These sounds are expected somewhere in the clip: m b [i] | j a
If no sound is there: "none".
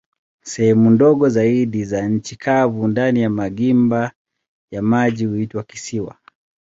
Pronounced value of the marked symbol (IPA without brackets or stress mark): a